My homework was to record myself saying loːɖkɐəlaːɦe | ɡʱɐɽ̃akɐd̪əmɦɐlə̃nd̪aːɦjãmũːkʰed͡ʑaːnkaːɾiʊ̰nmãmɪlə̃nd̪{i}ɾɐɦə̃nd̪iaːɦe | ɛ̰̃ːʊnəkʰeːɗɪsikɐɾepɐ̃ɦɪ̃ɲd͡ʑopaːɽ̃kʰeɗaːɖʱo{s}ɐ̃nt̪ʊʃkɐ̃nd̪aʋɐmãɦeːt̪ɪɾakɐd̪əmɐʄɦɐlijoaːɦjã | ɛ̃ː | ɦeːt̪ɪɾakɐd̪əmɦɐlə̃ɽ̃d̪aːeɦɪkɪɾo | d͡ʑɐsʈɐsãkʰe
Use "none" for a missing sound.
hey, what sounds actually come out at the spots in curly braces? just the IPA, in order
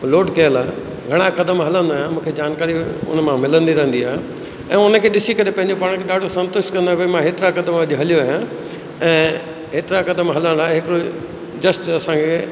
i, s

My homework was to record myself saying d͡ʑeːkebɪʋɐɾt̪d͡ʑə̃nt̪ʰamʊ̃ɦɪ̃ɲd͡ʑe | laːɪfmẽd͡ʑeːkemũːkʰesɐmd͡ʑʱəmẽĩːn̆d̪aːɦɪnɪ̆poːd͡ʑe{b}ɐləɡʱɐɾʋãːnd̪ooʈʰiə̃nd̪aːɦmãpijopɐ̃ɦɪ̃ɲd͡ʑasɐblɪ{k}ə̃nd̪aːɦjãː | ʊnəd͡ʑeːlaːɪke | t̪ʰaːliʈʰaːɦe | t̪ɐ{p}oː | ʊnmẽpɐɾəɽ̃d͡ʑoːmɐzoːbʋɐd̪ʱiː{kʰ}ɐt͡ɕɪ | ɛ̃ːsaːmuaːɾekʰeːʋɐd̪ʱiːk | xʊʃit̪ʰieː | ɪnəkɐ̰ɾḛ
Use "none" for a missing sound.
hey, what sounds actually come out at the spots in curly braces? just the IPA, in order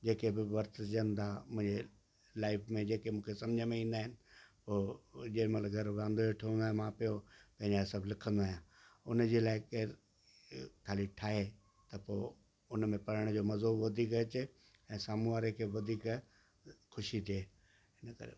m, kʰ, p, k

